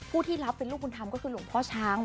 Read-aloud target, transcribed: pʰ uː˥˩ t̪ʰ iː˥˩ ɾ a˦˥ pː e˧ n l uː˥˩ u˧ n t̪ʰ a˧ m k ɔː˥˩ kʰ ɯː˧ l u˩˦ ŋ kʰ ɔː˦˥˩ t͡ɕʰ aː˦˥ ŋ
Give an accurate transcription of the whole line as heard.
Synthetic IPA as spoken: pʰ uː˥˩ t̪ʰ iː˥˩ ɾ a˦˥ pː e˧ n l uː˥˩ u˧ n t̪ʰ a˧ m k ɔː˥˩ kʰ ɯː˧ l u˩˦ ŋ pʰ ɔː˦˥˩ t͡ɕʰ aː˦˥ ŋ